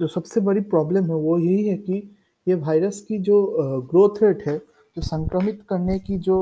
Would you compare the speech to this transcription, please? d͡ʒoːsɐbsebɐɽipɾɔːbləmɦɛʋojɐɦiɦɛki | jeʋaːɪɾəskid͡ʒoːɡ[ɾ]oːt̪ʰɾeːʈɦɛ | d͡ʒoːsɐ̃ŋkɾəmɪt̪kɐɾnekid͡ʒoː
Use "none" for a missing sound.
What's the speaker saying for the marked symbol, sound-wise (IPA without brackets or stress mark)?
ɾ